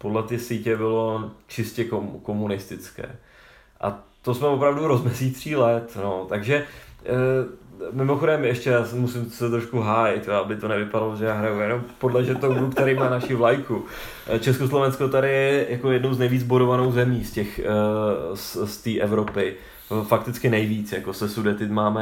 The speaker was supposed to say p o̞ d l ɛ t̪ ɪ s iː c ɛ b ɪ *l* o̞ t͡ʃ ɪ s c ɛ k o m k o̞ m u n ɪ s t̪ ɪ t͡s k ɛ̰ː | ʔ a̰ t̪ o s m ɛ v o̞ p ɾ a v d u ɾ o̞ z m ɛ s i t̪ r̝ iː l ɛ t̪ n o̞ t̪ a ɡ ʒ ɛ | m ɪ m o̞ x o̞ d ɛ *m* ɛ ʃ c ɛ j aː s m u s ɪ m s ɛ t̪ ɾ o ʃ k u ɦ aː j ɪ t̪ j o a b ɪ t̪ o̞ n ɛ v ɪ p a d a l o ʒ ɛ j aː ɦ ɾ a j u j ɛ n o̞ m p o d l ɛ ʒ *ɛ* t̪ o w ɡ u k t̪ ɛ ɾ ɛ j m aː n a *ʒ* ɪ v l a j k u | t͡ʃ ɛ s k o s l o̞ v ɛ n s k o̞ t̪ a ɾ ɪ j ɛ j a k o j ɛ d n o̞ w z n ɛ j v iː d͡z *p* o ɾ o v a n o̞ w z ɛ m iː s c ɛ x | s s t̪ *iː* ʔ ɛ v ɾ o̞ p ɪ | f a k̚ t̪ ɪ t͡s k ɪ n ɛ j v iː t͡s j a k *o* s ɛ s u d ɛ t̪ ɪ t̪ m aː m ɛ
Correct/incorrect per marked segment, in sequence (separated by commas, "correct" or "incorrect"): correct, correct, correct, incorrect, incorrect, correct, correct